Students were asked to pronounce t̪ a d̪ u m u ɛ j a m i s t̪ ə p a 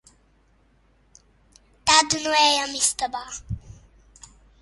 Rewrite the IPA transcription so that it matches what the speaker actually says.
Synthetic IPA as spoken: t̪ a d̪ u n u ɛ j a m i s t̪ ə b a